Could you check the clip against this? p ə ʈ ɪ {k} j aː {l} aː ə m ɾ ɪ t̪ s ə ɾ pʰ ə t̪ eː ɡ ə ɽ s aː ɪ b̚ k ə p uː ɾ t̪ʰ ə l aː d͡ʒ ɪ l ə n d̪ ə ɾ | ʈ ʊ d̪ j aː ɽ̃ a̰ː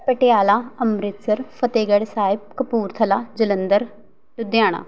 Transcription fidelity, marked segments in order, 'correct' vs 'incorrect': incorrect: none, correct

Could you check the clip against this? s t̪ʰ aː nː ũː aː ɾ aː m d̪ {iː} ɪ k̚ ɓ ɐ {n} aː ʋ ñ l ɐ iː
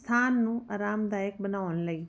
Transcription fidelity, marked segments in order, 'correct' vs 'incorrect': incorrect: aː, correct

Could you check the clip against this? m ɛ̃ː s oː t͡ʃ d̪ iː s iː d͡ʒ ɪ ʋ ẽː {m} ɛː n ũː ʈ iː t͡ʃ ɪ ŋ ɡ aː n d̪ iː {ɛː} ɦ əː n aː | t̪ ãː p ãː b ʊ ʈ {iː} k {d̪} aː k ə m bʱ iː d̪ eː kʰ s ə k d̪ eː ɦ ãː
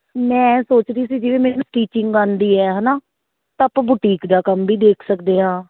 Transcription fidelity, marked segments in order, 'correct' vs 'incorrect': correct, correct, correct, correct

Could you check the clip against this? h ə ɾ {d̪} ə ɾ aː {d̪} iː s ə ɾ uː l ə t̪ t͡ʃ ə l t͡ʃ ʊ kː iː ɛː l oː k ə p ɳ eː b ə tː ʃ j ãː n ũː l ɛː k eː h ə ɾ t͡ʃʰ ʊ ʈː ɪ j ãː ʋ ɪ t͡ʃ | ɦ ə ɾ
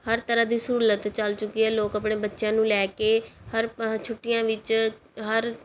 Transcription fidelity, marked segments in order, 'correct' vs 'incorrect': incorrect: t̪, correct

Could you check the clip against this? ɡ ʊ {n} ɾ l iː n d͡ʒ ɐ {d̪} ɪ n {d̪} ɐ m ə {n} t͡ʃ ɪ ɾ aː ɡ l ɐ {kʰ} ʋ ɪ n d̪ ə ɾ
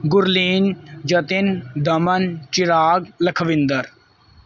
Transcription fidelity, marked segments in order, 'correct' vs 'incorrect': incorrect: none, incorrect: t̪, correct, correct, correct

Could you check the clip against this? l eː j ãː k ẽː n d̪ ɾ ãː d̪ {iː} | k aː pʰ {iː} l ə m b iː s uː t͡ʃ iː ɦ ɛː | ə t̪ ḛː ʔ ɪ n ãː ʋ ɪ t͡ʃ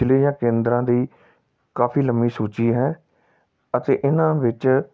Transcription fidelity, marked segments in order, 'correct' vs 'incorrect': correct, correct

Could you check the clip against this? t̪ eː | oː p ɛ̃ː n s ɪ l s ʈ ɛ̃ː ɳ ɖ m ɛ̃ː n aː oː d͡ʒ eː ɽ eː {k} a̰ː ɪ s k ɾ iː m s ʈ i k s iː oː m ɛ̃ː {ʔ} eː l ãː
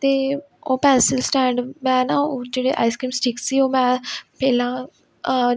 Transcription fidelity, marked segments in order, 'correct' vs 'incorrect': incorrect: ʔ, incorrect: p

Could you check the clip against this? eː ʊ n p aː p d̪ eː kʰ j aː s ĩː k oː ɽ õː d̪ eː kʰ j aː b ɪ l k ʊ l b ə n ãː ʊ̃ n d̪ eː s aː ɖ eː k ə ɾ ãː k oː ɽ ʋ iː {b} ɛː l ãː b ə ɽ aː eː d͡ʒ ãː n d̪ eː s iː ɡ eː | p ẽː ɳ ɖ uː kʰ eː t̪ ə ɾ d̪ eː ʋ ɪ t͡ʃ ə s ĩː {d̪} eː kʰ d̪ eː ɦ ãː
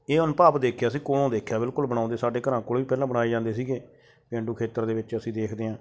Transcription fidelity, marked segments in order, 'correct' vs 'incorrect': incorrect: p, correct

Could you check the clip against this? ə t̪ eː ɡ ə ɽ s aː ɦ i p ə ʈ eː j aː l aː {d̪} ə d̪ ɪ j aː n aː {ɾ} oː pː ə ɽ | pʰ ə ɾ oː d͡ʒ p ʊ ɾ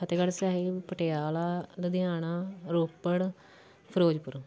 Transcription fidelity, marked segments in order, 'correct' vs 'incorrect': correct, correct

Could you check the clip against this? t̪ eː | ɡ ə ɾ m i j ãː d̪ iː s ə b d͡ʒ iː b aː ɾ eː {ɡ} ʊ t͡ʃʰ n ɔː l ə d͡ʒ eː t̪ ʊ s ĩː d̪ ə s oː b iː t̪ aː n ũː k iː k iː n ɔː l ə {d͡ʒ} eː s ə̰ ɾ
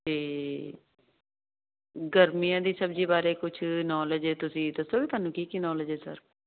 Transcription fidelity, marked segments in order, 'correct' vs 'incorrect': incorrect: k, correct

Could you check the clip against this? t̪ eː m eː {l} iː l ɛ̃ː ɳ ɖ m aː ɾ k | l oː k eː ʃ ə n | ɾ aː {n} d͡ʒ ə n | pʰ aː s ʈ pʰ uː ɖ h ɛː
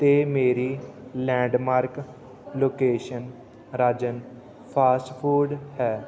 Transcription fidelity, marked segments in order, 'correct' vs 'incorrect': incorrect: ɾ, incorrect: none

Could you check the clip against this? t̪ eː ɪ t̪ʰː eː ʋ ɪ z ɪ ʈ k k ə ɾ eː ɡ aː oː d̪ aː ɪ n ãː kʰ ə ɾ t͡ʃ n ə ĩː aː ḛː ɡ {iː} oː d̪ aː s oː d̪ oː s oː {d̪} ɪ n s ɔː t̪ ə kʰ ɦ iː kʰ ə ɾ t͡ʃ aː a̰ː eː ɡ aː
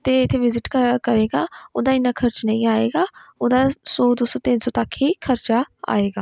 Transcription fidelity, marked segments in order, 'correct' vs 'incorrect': incorrect: aː, incorrect: t̪

